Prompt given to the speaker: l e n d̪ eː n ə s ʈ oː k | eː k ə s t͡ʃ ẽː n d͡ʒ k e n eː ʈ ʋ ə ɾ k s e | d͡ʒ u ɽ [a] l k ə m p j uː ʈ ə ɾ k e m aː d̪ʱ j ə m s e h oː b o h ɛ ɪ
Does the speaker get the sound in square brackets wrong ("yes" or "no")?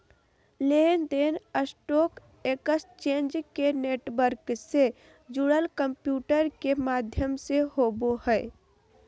yes